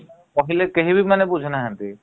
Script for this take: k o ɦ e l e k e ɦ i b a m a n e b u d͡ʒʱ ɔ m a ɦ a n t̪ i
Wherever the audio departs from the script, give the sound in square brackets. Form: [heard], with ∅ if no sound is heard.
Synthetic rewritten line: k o ɦ [i] l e k e ɦ i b [i] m a n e b u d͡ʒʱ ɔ [n] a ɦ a n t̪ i